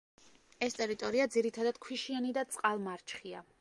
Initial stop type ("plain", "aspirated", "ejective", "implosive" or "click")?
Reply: ejective